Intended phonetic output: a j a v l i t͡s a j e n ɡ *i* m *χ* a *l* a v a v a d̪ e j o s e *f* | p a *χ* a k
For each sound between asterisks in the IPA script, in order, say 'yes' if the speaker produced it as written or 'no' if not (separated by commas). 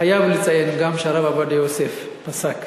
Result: no, no, no, yes, no